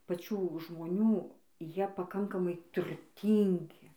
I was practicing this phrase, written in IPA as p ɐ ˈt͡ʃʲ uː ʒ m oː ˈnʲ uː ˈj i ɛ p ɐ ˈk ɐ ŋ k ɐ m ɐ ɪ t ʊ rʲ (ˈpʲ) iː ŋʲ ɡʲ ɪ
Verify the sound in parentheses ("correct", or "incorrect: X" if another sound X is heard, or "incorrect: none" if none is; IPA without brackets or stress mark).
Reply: incorrect: tʲ